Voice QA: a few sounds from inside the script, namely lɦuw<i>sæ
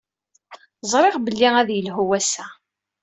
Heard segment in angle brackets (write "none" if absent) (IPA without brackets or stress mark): æ